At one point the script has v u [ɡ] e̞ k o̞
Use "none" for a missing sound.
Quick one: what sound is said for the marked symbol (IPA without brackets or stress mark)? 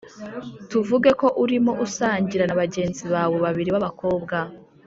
ɡ